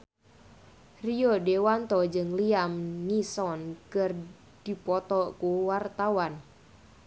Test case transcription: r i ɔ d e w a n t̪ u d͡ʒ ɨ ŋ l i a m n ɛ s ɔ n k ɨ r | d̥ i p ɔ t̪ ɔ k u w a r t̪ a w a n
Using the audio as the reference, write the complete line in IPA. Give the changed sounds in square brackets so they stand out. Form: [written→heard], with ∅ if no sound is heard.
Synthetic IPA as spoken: r i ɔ d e w a n t̪ [u→ɔ] d͡ʒ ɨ ŋ l i a m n [ɛ→i] s ɔ n k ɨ r | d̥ i p ɔ t̪ ɔ k u w a r t̪ a w a n